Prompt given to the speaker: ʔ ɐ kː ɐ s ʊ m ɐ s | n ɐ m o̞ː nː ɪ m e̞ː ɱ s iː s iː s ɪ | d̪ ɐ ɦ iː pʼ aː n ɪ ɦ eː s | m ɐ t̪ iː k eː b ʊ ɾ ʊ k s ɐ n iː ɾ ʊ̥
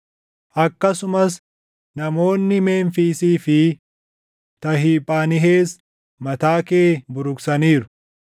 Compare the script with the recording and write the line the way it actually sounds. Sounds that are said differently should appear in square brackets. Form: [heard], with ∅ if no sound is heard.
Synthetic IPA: ʔ ɐ kː ɐ s ʊ m ɐ s | n ɐ m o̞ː nː ɪ m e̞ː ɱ [f] iː s iː [f] ɪ | [t̪] ɐ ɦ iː pʼ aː n ɪ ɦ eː s | m ɐ t̪ [aː] k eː b ʊ ɾ ʊ k s ɐ n iː ɾ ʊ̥